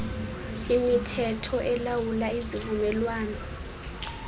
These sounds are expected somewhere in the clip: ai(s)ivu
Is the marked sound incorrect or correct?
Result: incorrect